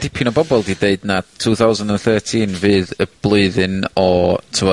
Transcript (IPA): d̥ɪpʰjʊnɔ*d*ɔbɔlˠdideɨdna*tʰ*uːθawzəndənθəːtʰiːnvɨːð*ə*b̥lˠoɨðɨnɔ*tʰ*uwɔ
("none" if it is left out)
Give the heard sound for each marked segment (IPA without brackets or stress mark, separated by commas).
b, tʰ, ə, tʰ